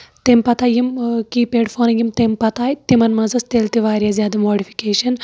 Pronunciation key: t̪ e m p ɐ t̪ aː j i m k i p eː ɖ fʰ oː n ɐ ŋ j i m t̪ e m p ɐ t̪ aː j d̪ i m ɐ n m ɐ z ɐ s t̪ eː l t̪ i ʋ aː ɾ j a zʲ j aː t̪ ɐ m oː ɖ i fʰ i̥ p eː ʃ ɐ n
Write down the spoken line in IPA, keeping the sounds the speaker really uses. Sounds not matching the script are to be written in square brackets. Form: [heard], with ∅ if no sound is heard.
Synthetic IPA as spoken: t̪ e m p ɐ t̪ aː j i m k i p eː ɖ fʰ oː n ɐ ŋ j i m t̪ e m p ɐ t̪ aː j [t̪] i m ɐ n m ɐ z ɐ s t̪ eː l t̪ i ʋ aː ɾ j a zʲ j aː [d̪] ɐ m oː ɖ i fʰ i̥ [k] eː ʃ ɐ n

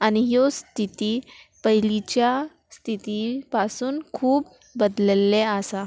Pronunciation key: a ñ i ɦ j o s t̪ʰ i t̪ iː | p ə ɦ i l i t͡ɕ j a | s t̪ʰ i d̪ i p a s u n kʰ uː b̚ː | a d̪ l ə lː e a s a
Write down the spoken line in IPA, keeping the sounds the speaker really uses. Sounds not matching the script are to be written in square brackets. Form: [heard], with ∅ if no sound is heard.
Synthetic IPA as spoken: a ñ i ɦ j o s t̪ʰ i t̪ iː | p ə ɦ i l i t͡ɕ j a | s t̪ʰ i [t̪] i p a s [uː] n kʰ uː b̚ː | [ə] d̪ l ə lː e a s a

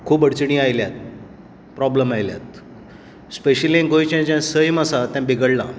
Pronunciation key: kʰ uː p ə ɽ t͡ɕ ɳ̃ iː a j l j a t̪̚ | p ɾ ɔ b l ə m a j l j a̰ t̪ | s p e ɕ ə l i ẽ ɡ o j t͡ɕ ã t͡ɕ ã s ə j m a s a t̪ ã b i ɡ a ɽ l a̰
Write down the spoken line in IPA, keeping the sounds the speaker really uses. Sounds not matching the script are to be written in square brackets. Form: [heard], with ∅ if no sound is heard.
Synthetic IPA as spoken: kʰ uː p ə ɽ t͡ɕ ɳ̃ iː a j l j a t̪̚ | p ɾ ɔ b l ə m a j l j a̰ t̪ | s p e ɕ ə l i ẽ ɡ o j t͡ɕ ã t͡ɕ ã s ə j m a s a t̪ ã b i ɡ [ə] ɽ l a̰

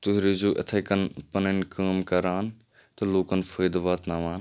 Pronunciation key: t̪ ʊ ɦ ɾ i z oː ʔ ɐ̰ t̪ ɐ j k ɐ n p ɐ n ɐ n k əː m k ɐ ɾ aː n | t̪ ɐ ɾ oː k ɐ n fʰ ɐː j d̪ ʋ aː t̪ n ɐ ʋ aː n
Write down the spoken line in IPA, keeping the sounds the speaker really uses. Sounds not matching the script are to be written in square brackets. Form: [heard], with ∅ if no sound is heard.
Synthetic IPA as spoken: t̪ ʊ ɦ ɾ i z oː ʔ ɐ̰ [t̪ʰ] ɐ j k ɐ n p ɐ n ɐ n k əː m k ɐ ɾ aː n | t̪ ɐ [l] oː k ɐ n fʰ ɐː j d̪ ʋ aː t̪ n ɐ ʋ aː n

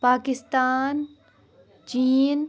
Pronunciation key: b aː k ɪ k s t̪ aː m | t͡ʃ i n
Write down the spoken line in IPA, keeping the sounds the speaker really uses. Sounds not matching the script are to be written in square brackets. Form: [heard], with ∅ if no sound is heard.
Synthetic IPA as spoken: [p] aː k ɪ [∅] s t̪ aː [n] | t͡ʃ [iː] n

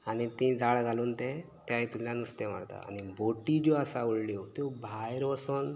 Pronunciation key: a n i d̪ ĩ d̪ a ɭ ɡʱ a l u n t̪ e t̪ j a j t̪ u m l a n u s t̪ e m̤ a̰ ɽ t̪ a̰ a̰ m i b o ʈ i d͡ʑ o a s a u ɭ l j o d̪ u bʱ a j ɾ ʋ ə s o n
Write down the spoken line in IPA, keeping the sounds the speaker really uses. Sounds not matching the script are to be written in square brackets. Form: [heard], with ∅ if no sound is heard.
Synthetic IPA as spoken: a n i [t̪] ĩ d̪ a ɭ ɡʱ a l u n t̪ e t̪ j a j t̪ u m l a n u s t̪ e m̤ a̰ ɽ t̪ a̰ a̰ [n] i b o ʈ i d͡ʑ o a s a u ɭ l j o [t̪] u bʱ a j ɾ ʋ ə s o n

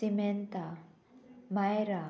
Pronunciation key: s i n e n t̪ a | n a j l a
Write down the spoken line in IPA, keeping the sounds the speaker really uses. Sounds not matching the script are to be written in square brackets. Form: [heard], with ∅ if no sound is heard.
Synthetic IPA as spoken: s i [m] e n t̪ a | [m] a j [ɾ] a

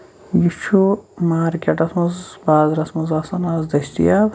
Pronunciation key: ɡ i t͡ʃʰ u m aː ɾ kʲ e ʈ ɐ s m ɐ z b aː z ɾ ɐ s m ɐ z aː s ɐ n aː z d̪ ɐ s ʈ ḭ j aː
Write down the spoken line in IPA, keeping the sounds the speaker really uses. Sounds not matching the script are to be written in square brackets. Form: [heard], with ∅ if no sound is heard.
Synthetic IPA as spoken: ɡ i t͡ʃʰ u m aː ɾ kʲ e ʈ ɐ s m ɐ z b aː z ɾ ɐ s m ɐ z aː s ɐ n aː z d̪ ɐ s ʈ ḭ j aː

